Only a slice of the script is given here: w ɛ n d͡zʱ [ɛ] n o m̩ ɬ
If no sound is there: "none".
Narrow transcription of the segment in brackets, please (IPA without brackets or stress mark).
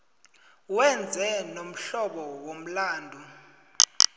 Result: ɛ